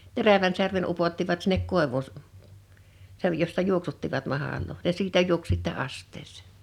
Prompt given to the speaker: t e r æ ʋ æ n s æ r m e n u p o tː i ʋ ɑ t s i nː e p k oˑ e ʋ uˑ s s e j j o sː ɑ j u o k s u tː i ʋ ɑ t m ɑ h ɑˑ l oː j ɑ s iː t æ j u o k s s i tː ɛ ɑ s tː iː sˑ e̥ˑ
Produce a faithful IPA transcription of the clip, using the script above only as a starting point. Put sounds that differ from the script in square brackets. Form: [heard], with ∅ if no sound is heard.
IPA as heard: t e r æ ʋ æ n s æ r m e n u p o tː i ʋ ɑ t s i nː e [k] k oˑ e ʋ uˑ s s e j j o sː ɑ j u o k s u tː i ʋ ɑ t m ɑ h ɑˑ l oː j ɑ s iː t æ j u o k s s i tː ɛ ɑ s tː [eː] sˑ e̥ˑ